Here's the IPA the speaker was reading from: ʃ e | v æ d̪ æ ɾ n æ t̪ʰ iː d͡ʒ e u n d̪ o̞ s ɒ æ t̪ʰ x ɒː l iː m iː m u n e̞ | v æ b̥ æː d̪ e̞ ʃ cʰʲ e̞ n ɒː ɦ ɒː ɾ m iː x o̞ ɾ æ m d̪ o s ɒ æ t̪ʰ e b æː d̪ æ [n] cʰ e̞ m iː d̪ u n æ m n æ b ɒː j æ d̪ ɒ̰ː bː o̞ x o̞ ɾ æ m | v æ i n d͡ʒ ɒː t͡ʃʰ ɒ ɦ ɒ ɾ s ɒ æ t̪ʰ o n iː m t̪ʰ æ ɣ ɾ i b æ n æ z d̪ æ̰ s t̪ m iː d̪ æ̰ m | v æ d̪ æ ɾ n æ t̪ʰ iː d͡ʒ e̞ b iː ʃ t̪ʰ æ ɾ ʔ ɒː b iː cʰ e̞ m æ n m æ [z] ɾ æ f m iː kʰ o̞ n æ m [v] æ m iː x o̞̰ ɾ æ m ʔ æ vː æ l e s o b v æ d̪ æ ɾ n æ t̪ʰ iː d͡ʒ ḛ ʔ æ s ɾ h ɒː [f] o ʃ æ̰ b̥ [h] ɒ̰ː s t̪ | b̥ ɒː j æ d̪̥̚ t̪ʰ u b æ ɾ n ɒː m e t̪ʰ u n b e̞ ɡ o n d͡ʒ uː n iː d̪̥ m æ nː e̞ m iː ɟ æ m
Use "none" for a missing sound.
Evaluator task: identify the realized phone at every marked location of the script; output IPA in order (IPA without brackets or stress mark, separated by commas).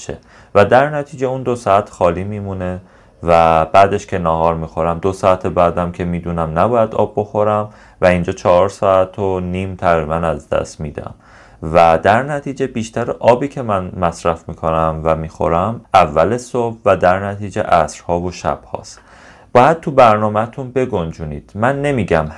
m, s, v, v, h